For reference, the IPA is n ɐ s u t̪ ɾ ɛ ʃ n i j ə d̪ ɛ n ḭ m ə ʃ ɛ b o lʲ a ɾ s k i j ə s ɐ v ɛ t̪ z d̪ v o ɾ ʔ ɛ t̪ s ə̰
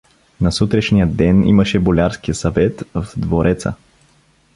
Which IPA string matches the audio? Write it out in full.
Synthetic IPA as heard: n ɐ s u t̪ ɾ ɛ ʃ n i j ə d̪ ɛ n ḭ m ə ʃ ɛ b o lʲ a ɾ s k i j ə s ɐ v ɛ t̪ v d̪ v o ɾ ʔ ɛ t̪ s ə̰